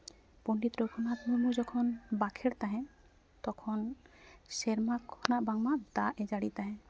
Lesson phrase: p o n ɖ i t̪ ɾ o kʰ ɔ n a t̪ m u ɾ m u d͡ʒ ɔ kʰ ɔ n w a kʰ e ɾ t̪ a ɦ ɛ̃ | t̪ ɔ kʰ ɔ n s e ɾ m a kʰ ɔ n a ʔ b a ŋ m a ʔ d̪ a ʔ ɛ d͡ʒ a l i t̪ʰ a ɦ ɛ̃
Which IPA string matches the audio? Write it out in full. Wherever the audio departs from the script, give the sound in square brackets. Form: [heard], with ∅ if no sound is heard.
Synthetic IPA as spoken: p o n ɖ i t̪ ɾ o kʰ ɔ n a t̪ m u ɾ m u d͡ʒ ɔ kʰ ɔ n [b] a kʰ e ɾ t̪ a ɦ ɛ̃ | t̪ ɔ kʰ ɔ n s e ɾ m a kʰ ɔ n a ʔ b a ŋ m a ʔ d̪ a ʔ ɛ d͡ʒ a [ɽ] i [t̪] a ɦ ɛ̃